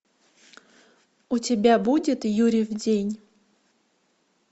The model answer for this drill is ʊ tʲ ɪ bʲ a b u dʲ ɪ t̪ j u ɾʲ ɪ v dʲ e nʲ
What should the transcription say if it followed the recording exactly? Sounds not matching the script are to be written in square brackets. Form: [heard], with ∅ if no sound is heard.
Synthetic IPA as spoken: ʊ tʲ ɪ bʲ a b u dʲ ɪ t̪ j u ɾʲ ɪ v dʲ e nʲ